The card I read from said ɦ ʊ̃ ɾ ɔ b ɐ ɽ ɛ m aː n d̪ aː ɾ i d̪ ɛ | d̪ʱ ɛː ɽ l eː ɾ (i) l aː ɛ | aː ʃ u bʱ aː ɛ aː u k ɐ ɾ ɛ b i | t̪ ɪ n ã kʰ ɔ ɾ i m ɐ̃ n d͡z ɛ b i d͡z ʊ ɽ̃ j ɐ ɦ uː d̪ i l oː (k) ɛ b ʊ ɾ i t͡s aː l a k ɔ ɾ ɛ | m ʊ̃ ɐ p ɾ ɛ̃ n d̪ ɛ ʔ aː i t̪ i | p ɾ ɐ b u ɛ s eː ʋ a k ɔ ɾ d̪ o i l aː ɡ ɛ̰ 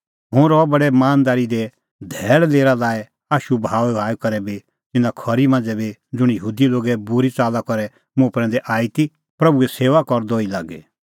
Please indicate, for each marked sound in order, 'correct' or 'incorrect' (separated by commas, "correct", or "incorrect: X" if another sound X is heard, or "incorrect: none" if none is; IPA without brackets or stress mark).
incorrect: a, incorrect: ɡ